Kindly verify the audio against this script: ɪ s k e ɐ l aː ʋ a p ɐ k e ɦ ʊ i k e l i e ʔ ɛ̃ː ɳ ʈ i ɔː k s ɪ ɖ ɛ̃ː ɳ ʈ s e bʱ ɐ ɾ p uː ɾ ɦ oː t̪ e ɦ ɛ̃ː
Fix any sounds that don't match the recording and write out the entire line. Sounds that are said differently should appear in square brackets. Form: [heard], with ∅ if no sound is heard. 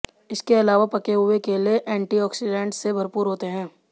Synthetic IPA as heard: ɪ s k e ɐ l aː ʋ a p ɐ k e ɦ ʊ [e] k e l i e ʔ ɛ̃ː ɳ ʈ i ɔː k s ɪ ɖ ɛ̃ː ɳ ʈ s e bʱ ɐ ɾ p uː ɾ ɦ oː t̪ e ɦ ɛ̃ː

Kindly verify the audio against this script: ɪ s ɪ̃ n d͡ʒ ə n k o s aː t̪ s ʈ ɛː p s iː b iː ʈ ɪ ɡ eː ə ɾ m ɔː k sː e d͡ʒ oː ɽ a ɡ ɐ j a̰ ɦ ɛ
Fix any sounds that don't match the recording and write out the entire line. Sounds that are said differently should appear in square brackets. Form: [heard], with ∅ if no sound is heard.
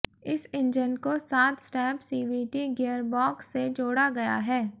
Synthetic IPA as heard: ɪ s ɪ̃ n d͡ʒ ə n k o s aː t̪ s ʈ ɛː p s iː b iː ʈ [i] ɡ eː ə ɾ [b] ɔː k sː e d͡ʒ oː ɽ a ɡ ɐ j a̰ ɦ [ɛː]

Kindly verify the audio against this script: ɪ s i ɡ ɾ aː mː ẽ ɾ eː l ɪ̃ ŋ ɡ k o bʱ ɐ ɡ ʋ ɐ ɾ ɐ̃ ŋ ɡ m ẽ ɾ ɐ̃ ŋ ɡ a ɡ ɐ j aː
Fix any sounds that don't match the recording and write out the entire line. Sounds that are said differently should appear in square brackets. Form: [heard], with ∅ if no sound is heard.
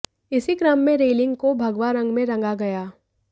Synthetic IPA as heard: ɪ s i ɡ ɾ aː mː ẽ ɾ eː l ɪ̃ ŋ ɡ k o bʱ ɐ ɡ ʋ [a] ɾ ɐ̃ ŋ ɡ m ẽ ɾ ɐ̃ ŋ ɡ a ɡ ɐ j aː

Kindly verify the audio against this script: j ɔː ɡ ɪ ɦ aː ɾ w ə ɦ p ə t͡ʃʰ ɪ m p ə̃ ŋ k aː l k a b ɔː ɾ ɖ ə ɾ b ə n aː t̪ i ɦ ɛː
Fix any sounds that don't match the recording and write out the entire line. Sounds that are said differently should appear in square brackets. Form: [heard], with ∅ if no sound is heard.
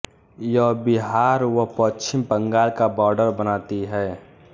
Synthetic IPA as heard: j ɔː [b] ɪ ɦ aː ɾ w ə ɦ p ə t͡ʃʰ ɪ m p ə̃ ŋ [ɡ] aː l k a b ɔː ɾ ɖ ə ɾ b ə n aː t̪ i ɦ ɛː

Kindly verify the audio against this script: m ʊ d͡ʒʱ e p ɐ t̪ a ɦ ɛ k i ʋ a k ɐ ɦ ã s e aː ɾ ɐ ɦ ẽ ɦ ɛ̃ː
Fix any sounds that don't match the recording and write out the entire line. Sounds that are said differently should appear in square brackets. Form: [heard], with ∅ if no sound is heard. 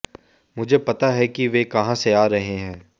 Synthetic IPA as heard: m ʊ d͡ʒʱ e p ɐ t̪ a ɦ ɛ k i ʋ [e] k ɐ ɦ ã s e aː ɾ ɐ ɦ [e] ɦ ɛ̃ː

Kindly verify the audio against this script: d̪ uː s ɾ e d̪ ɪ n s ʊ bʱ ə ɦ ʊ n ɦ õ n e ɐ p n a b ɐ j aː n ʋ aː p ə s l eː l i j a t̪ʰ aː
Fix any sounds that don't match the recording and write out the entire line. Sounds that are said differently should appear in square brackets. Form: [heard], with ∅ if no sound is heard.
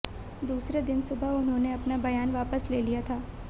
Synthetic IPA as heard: d̪ uː s ɾ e d̪ ɪ n s ʊ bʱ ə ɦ ʊ n ɦ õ n e ɐ p n a b ɐ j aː n ʋ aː p ə s l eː l i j a t̪ʰ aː

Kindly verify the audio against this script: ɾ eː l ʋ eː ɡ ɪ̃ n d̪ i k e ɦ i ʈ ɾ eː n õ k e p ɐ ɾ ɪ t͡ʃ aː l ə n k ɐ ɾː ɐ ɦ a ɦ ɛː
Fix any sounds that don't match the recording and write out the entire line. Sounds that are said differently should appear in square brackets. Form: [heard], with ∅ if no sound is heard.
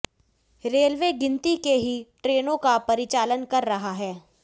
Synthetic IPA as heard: ɾ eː l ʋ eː ɡ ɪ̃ n [t̪] i k e ɦ i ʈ ɾ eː n õ k [a] p ɐ ɾ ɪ t͡ʃ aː l ə n k ɐ ɾː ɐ ɦ a ɦ ɛː

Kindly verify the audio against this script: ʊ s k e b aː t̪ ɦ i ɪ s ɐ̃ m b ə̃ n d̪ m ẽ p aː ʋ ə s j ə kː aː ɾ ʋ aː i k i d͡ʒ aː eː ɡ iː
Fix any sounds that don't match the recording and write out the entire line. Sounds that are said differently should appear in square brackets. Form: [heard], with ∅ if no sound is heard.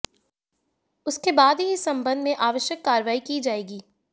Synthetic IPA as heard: ʊ s k e b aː [d̪] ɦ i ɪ s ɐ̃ m b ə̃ n d̪ m ẽ [ʔ] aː ʋ ə [ʃ] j ə kː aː ɾ ʋ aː i k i d͡ʒ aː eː ɡ iː

